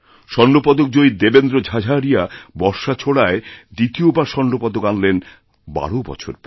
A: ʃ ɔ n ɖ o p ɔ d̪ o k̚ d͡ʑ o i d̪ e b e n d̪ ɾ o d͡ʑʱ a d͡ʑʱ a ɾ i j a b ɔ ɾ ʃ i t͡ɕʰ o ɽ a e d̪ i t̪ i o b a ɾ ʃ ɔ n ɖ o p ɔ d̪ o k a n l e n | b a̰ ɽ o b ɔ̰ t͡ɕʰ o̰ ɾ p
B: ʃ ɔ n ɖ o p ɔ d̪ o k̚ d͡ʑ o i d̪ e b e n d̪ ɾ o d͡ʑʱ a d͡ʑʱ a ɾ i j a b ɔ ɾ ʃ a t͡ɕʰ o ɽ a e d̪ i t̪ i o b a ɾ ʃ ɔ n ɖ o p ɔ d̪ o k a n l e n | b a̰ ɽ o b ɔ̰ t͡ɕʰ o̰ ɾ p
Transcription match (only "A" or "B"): B